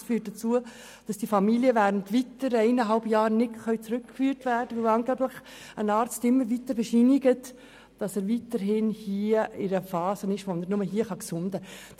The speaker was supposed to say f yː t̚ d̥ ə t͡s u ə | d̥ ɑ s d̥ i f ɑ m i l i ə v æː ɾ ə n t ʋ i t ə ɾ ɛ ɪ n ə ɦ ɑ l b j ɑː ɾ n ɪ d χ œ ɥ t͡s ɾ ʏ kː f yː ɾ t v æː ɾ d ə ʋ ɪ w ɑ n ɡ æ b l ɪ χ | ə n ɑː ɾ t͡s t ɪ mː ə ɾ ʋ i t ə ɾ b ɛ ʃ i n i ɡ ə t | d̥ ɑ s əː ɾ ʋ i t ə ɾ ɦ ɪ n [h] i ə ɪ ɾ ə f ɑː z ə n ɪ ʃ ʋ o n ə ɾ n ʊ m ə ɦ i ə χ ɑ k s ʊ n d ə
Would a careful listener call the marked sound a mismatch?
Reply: no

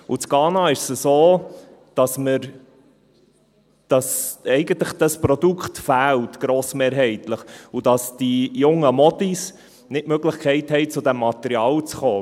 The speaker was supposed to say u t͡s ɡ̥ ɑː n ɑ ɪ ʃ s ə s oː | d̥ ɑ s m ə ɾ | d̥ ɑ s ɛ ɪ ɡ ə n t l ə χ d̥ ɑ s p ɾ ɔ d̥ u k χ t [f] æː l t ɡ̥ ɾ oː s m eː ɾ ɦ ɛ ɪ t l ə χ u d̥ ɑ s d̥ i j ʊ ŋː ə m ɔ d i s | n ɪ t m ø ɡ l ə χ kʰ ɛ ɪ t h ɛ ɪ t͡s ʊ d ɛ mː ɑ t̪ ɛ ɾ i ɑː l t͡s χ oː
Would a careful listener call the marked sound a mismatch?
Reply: no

